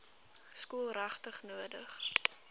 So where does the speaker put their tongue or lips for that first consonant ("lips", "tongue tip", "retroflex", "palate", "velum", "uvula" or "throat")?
tongue tip